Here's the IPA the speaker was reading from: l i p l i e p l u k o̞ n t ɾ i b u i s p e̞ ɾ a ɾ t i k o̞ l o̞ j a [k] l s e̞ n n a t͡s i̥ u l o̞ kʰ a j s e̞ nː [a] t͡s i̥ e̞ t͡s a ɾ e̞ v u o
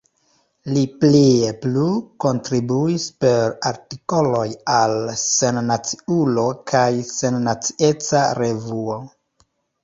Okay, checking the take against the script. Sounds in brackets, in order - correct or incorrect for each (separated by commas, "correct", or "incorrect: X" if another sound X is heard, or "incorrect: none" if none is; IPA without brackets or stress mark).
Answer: incorrect: none, correct